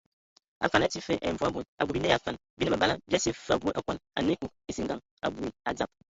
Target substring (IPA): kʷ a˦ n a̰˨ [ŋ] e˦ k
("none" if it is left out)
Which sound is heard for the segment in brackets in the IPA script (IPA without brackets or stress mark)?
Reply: n